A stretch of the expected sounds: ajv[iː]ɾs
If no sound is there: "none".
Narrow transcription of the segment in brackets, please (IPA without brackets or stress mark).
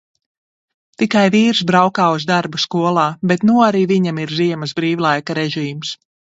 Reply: iː